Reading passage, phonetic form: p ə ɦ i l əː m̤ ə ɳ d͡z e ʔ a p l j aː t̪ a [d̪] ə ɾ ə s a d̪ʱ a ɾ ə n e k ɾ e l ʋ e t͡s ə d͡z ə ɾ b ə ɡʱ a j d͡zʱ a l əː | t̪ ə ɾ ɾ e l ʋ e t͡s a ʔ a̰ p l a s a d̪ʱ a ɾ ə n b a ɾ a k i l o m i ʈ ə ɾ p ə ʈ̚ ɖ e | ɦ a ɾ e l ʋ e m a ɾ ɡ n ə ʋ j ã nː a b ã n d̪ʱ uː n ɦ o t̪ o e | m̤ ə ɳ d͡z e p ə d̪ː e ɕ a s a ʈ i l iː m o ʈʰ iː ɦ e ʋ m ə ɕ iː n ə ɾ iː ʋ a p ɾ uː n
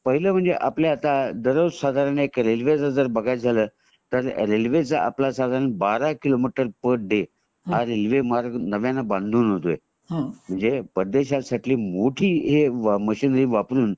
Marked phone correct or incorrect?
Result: correct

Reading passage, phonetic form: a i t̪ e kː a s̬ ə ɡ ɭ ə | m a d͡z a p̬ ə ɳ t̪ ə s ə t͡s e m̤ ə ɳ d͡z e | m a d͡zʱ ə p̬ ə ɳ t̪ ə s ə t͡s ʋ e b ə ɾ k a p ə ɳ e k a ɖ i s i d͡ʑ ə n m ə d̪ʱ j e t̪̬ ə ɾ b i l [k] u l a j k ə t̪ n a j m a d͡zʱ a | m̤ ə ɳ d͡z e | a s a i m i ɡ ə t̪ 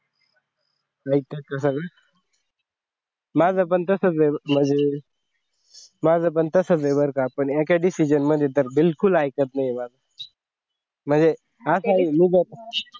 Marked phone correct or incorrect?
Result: correct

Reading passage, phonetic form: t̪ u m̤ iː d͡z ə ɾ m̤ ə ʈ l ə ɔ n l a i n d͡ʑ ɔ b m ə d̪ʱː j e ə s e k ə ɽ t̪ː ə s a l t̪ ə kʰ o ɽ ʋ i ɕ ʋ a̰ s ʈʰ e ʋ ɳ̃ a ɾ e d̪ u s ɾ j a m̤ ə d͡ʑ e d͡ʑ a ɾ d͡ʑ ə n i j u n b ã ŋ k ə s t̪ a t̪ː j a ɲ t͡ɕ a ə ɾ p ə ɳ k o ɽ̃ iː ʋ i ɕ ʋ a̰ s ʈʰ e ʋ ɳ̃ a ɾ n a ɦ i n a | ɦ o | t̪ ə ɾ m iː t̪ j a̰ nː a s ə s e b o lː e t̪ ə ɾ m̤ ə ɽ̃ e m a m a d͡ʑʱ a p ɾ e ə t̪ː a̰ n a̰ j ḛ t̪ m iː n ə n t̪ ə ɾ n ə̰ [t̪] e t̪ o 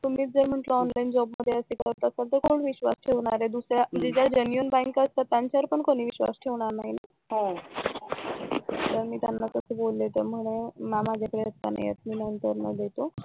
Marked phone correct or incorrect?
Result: incorrect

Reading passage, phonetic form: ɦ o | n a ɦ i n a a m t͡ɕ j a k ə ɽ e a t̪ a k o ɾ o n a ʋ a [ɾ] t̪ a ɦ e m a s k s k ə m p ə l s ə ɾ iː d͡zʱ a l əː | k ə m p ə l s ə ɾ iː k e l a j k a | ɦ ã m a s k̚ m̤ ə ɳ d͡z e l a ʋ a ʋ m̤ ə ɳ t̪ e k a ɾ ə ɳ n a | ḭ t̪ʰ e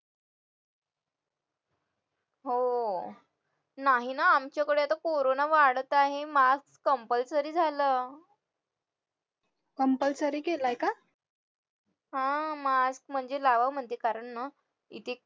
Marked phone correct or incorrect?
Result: incorrect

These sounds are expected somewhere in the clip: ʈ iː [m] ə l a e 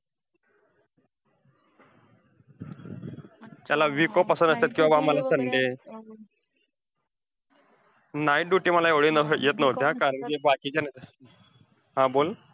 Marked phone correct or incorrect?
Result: correct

